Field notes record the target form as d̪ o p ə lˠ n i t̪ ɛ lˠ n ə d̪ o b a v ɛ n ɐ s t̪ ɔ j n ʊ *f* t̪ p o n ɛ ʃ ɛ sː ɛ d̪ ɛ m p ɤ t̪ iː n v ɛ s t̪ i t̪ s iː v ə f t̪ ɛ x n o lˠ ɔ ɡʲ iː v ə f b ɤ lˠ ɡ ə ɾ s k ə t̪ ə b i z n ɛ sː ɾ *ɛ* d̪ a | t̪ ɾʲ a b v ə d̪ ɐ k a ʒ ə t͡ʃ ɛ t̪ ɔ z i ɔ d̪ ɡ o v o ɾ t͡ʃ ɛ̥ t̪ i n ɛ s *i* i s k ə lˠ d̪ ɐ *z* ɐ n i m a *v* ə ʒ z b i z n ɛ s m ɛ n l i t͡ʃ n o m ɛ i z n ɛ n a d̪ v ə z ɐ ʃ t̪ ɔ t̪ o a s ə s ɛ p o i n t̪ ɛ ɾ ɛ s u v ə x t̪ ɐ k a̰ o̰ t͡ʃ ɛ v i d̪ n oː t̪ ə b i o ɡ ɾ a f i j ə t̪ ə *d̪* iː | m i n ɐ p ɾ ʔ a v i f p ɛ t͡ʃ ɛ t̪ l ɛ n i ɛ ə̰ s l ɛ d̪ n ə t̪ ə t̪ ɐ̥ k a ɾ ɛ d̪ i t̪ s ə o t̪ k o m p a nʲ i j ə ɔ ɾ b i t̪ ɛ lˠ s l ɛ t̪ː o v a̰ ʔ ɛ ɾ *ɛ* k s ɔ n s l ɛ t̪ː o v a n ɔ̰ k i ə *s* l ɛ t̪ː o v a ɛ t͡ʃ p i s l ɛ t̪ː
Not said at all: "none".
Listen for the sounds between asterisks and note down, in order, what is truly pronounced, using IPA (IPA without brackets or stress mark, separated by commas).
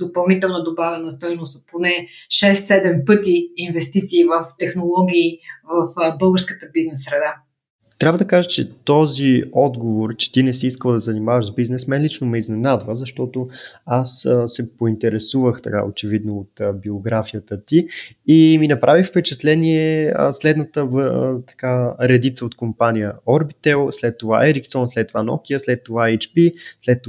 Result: s, ɛ, i, z, v, t̪, i, s